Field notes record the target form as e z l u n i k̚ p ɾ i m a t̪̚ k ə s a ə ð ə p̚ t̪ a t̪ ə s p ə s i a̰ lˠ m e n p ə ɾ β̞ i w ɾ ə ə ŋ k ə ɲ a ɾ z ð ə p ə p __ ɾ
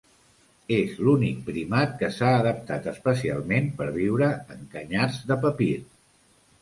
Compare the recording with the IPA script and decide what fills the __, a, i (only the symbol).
i